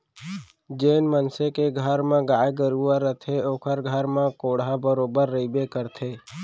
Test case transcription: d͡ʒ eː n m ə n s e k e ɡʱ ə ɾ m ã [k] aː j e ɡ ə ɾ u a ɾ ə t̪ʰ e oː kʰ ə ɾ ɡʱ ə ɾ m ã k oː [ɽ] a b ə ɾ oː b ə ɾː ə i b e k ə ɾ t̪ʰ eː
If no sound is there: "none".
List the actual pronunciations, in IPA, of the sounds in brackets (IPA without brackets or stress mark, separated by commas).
ɡ, ɽ